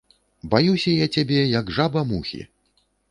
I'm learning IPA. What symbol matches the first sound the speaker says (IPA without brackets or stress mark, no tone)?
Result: b